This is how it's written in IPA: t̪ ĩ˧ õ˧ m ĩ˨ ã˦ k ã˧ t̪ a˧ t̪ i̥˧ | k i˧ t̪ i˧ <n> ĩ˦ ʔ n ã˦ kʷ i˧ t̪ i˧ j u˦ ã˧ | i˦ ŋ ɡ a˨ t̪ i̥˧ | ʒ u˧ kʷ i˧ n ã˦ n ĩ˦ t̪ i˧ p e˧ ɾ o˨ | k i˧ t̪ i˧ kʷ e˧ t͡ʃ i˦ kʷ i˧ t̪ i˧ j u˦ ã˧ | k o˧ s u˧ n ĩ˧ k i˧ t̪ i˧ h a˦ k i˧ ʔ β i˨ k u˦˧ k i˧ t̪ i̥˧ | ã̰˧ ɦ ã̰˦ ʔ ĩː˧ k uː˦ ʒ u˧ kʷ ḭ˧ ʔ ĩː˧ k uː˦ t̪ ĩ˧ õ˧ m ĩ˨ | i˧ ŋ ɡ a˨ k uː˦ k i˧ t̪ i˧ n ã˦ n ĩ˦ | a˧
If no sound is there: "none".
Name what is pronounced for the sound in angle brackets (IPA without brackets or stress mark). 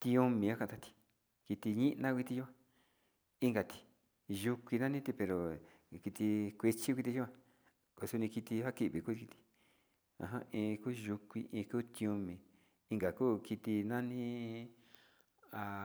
ɲ